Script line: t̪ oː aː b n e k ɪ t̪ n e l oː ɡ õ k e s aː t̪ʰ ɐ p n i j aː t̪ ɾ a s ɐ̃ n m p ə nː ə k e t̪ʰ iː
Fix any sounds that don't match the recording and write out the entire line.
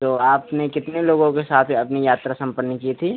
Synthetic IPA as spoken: t̪ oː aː p n e k ɪ t̪ n e l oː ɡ õ k e s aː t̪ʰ ɐ p n i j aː t̪ ɾ a s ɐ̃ m p ə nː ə k i t̪ʰ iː